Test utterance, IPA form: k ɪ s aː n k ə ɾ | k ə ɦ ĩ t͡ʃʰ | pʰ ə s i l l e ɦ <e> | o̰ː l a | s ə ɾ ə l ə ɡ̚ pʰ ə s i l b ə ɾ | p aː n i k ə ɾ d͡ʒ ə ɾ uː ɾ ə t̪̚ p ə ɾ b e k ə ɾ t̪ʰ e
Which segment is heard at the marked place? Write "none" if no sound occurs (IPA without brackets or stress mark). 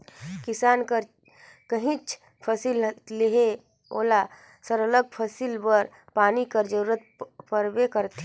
e